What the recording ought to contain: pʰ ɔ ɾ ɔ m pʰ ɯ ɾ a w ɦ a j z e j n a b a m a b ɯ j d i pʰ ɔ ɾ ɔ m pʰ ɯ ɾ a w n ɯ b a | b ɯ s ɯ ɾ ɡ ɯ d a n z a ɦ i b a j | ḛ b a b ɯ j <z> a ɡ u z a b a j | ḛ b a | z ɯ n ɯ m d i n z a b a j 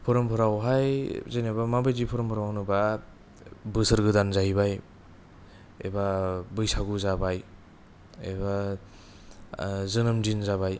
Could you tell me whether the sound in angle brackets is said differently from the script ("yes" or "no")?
yes